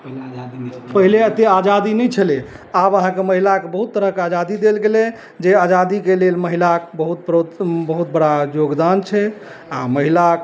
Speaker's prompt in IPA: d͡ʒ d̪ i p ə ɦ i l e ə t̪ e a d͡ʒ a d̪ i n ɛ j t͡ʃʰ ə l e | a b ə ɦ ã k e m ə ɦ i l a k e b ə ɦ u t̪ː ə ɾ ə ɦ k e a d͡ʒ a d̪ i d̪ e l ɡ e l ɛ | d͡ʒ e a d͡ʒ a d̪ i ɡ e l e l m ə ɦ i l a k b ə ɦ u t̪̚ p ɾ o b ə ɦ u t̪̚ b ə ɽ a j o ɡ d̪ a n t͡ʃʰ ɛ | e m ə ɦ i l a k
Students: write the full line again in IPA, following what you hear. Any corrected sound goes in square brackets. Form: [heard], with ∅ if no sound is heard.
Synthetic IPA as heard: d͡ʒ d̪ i p ə ɦ i l e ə t̪ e a d͡ʒ a d̪ i n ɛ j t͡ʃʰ ə l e | a b ə ɦ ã k e m ə ɦ i l a k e b ə ɦ u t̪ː ə ɾ ə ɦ k e a d͡ʒ a d̪ i d̪ e l ɡ e l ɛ | d͡ʒ e a d͡ʒ a d̪ i [k] e l e l m ə ɦ i l a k b ə ɦ u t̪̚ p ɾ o b ə ɦ u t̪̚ b ə ɽ a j o ɡ d̪ a n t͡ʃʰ ɛ | [a] m ə ɦ i l a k